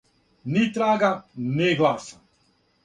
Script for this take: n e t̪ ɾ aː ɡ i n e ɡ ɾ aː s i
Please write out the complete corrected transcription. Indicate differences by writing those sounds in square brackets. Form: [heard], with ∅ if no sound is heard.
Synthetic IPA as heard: n [i] t̪ ɾ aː ɡ [a] n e ɡ [l] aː s [a]